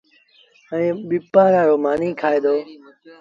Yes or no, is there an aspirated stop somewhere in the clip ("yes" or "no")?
yes